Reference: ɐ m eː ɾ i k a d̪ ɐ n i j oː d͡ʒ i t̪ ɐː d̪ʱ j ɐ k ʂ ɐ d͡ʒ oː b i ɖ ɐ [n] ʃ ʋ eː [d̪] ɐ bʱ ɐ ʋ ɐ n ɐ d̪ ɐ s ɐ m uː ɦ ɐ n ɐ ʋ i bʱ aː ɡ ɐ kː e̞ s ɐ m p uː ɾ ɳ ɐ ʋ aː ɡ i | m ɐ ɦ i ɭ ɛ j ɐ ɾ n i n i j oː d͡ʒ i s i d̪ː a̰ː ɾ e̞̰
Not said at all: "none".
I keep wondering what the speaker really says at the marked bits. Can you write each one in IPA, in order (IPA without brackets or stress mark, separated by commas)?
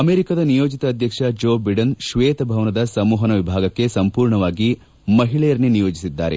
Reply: n, t̪